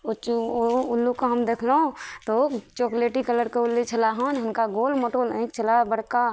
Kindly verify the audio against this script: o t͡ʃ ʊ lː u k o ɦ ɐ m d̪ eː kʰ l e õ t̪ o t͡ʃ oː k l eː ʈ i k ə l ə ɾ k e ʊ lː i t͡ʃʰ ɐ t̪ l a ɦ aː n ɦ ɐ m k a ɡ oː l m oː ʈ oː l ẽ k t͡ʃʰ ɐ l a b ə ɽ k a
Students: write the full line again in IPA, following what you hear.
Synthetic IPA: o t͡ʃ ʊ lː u k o ɦ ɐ m d̪ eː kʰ l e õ t̪ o t͡ʃ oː k l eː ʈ i k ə l ə ɾ k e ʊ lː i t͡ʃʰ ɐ l a ɦ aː n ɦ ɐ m k a ɡ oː l m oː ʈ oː l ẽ k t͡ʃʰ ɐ l a b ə ɽ k a